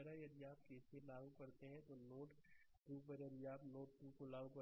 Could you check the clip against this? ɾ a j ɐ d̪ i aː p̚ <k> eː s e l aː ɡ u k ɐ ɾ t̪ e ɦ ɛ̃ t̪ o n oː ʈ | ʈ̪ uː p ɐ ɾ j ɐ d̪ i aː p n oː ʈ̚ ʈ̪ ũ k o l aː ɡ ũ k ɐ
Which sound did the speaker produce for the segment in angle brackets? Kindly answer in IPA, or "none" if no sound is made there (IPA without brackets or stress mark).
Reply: k